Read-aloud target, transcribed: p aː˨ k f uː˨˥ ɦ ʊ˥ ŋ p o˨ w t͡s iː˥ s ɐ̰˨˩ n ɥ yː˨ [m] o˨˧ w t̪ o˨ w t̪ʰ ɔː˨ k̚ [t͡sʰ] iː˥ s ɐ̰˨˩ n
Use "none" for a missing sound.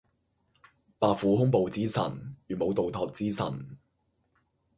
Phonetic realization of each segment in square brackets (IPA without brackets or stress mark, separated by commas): m, t͡s